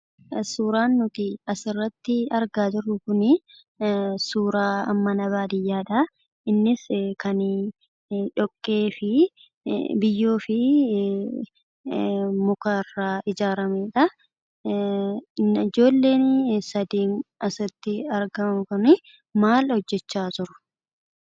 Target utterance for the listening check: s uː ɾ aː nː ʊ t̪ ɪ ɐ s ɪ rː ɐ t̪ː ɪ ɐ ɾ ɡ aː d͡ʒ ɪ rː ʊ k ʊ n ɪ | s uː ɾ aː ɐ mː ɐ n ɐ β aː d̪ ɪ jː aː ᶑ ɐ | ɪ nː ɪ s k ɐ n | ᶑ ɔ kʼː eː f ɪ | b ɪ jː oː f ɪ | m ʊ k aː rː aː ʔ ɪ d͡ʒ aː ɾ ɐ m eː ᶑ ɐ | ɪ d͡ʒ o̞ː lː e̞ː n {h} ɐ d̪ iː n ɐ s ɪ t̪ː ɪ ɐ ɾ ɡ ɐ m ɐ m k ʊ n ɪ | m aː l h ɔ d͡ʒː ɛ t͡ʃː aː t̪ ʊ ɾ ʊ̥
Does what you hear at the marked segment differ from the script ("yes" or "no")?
yes